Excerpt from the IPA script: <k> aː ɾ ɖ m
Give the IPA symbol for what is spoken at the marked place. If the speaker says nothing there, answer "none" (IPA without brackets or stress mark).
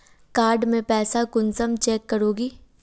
k